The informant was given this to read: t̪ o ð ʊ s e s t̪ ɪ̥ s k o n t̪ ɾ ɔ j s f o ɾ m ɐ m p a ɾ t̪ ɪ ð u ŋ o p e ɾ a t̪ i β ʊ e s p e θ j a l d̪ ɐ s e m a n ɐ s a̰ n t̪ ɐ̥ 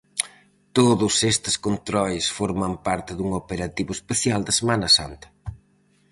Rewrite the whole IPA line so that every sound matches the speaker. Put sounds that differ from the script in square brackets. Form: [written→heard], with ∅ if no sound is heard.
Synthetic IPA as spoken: t̪ o ð ʊ s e s t̪ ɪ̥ s k o n t̪ ɾ ɔ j s f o ɾ m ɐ m p a ɾ t̪ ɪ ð u ŋ o p e ɾ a t̪ i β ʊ e s p e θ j a l d̪ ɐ s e m a n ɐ s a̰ n t̪ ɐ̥